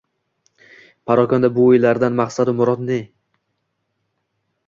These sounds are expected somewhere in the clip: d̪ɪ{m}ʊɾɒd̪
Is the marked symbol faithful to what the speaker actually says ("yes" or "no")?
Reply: yes